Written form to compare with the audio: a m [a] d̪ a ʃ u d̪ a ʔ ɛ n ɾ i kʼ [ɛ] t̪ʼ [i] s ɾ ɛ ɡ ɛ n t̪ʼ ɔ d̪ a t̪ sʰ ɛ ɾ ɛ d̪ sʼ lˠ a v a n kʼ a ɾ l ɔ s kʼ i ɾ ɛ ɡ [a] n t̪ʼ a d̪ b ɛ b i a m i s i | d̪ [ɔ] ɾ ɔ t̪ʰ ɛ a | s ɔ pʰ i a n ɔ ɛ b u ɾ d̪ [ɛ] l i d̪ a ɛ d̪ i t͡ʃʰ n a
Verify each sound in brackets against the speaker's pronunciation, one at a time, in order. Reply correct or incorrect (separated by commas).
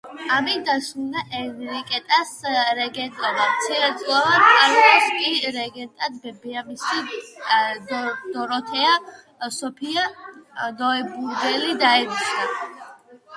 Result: incorrect, correct, incorrect, incorrect, correct, correct